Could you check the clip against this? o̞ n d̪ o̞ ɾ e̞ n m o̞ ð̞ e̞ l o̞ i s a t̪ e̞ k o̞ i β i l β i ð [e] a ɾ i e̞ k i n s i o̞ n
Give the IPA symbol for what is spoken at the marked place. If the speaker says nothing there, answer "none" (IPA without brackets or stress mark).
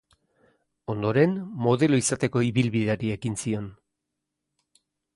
e